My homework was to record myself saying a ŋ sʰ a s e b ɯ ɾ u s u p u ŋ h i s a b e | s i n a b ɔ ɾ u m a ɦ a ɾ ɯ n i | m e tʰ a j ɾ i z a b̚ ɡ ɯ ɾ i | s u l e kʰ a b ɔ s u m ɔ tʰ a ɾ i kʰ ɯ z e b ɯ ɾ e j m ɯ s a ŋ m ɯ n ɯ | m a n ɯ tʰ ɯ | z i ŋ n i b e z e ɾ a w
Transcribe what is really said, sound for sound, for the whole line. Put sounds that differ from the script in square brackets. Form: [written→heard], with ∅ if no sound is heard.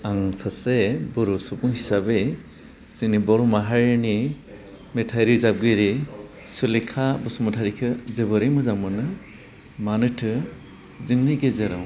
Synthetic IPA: a ŋ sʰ a s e b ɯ ɾ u s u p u ŋ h i s a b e | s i n [a→i] b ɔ ɾ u m a ɦ a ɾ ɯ n i | m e tʰ a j ɾ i z a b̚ ɡ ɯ ɾ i | s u l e kʰ a b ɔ s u m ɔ tʰ a ɾ i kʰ ɯ z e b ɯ ɾ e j m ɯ [s→z] a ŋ m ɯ n ɯ | m a n ɯ tʰ ɯ | z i ŋ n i [b→ɡ] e z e ɾ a w